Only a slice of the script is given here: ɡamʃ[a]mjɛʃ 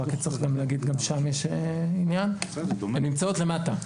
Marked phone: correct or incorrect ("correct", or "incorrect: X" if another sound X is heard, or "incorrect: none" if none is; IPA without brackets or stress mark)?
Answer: correct